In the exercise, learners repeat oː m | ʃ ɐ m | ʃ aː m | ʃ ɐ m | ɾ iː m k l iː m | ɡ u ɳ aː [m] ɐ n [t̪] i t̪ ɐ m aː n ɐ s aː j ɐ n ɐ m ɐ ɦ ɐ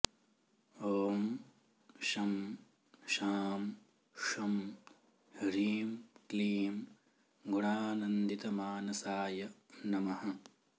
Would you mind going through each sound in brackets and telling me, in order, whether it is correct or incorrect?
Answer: incorrect, incorrect

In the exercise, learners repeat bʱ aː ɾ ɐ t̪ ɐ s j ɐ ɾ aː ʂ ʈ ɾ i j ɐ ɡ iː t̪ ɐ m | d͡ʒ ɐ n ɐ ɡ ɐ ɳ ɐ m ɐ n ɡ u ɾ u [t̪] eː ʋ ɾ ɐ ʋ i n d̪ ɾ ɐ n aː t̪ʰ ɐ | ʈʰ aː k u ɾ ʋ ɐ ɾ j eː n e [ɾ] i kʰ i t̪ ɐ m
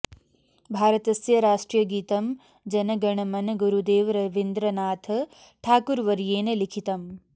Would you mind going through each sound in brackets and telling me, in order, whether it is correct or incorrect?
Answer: incorrect, incorrect

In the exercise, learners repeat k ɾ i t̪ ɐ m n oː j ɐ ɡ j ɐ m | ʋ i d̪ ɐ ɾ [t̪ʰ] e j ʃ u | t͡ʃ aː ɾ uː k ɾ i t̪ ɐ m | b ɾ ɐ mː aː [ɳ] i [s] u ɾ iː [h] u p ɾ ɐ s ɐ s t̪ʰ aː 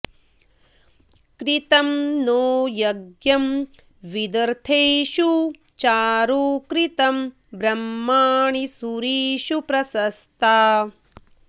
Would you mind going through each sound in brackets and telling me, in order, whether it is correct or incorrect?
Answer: correct, correct, correct, incorrect

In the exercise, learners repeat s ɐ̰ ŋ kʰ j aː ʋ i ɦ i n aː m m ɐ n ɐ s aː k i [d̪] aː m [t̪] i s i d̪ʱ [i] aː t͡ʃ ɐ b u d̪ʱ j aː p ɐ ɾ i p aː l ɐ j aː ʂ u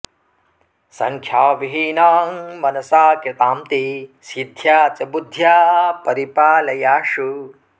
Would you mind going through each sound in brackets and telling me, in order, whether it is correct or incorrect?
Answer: incorrect, correct, incorrect

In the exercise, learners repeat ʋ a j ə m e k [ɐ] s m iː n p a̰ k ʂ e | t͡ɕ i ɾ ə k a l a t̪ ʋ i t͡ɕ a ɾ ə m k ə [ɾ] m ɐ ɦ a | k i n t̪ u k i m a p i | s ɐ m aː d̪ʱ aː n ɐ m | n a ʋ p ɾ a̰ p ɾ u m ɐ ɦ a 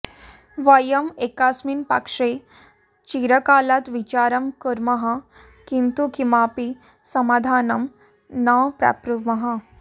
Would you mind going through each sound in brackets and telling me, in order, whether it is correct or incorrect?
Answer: incorrect, correct

